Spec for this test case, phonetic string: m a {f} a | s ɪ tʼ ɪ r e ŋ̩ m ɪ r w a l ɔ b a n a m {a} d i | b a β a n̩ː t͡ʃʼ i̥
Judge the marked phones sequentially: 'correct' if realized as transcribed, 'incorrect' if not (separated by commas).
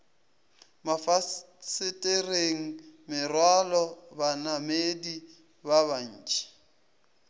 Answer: correct, incorrect